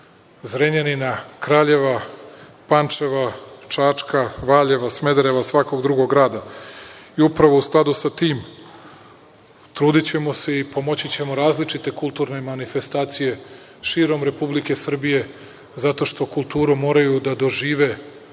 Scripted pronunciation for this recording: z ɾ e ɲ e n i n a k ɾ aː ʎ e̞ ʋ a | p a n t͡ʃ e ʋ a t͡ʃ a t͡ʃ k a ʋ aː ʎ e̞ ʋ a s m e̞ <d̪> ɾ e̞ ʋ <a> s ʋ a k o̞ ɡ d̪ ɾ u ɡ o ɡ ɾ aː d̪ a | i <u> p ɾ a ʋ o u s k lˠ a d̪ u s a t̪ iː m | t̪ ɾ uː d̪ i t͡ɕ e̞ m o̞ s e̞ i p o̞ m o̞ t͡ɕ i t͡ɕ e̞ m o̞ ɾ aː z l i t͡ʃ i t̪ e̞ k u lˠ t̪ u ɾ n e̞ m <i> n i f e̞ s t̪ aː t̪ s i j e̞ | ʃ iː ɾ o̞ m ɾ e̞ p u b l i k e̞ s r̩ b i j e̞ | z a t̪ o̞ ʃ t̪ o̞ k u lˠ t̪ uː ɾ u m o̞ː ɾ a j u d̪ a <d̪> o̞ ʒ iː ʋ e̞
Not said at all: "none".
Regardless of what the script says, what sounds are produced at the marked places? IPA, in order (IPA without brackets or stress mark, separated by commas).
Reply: d̪, a, u, a, d̪